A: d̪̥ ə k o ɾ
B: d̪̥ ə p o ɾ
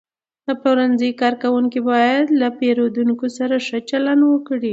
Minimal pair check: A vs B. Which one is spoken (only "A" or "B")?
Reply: B